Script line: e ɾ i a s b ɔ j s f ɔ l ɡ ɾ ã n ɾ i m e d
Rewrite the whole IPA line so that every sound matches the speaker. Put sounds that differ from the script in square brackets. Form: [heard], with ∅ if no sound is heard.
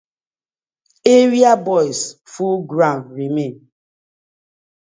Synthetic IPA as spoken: e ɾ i a [∅] b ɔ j s f [u] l ɡ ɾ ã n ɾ i m e [n]